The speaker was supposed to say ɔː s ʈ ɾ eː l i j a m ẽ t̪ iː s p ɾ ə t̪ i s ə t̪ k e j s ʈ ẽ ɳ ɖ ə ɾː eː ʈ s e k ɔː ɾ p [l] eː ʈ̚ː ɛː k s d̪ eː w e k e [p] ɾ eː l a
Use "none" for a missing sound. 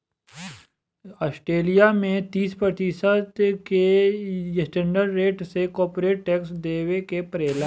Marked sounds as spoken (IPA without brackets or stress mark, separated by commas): ɾ, p